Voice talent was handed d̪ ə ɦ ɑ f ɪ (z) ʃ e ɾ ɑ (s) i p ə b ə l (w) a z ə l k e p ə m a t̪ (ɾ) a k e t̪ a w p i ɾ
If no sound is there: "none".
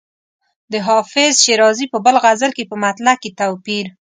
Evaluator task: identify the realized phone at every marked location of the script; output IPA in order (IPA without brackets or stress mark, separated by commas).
z, z, ɣ, l